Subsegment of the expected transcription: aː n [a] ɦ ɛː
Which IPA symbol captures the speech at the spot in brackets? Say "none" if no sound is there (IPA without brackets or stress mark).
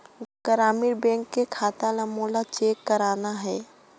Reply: a